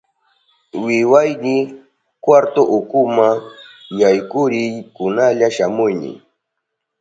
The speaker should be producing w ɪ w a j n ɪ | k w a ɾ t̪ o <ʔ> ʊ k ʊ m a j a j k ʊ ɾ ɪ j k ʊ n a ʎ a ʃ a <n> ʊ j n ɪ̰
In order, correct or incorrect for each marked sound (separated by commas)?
correct, incorrect